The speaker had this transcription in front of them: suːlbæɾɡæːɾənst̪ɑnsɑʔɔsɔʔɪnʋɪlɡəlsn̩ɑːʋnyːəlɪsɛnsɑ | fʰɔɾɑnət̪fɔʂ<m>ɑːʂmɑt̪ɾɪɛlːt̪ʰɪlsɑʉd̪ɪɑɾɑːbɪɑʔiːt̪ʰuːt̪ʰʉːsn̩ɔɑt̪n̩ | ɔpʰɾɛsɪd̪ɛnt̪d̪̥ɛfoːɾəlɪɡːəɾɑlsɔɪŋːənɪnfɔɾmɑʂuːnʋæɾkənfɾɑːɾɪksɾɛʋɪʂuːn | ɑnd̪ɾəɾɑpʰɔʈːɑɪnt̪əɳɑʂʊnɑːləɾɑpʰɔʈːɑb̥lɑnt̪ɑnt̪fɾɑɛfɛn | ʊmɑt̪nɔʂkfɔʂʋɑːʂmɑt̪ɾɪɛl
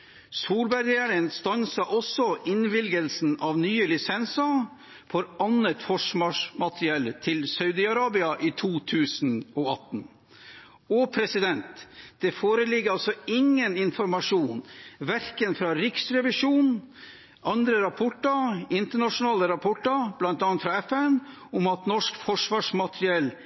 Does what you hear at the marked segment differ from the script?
no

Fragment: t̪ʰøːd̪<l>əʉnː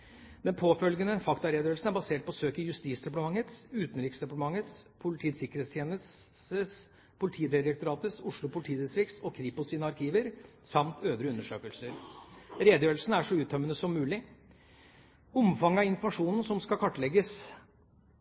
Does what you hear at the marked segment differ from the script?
yes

